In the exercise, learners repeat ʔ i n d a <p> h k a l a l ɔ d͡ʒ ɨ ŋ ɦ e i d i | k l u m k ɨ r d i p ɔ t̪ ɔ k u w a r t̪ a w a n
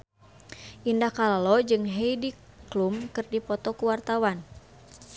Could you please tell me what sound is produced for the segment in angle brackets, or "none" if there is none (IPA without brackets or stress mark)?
none